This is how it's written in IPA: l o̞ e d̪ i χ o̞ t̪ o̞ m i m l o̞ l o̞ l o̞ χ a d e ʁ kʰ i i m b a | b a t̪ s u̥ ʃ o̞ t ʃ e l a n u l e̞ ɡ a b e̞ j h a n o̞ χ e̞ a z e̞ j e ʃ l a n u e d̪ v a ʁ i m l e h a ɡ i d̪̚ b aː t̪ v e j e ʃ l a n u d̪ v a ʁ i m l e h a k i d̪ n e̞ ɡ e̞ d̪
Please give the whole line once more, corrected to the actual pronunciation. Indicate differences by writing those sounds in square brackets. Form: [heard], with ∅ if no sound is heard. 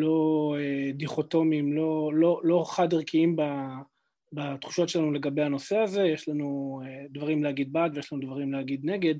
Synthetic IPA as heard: l o̞ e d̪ i χ o̞ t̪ o̞ m i m l o̞ l o̞ l o̞ χ a d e ʁ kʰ i i m b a | b a t̪ [χ] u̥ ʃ o̞ t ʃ e l a n u l e̞ ɡ a b e̞ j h a n o̞ [s] e̞ a z e̞ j e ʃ l a n u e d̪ v a ʁ i m l e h a ɡ i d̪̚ b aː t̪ v e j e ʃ l a n u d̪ v a ʁ i m l e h a [ɡ] i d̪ n e̞ ɡ e̞ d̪